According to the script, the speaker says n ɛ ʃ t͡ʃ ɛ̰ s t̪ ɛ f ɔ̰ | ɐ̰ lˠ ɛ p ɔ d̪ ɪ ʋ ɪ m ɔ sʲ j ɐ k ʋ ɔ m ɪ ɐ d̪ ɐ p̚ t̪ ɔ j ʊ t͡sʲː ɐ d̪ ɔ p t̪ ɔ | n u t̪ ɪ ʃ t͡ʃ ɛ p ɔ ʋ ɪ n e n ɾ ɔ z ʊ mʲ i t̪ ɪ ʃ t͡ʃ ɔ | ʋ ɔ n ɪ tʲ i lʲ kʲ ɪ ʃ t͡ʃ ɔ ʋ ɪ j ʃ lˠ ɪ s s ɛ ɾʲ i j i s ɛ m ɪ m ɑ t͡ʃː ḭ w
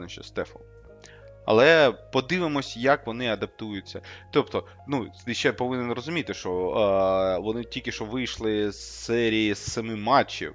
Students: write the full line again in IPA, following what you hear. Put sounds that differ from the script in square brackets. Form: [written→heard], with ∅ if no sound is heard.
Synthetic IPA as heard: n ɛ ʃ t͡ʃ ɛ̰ s t̪ ɛ f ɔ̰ | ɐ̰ lˠ ɛ p ɔ d̪ ɪ ʋ ɪ m ɔ sʲ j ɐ k ʋ ɔ [m→n] ɪ ɐ d̪ ɐ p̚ t̪ [ɔ→u] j ʊ t͡sʲː ɐ [d̪→t̪] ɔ p t̪ ɔ | n u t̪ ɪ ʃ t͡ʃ ɛ p ɔ ʋ ɪ n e n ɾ ɔ z ʊ mʲ i t̪ ɪ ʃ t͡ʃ ɔ | ʋ ɔ n ɪ tʲ i lʲ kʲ ɪ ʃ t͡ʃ ɔ ʋ ɪ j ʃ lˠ ɪ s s ɛ ɾʲ i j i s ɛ m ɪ m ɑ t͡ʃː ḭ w